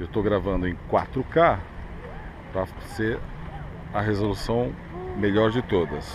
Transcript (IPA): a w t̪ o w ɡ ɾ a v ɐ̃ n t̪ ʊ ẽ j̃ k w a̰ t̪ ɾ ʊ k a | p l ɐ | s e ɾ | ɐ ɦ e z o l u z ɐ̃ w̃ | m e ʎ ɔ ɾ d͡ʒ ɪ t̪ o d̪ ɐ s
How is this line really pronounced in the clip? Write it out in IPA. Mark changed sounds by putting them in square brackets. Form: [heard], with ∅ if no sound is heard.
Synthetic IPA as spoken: [e] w t̪ o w ɡ ɾ a v ɐ̃ n [d̪] ʊ ẽ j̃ k w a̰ t̪ ɾ ʊ k a | p [ɾ] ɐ | s e ɾ | ɐ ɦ e z o l u [s] ɐ̃ w̃ | m e ʎ ɔ ɾ d͡ʒ ɪ t̪ o d̪ ɐ s